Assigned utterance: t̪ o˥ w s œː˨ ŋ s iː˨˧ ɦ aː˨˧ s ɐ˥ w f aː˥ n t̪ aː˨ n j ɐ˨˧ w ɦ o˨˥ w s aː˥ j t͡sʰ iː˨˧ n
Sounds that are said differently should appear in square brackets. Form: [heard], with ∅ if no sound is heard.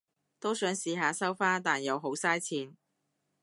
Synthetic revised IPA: t̪ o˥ w s [œː˨˥] ŋ s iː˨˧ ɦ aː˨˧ s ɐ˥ w f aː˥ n t̪ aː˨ n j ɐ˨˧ w ɦ o˨˥ w s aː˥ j t͡sʰ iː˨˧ n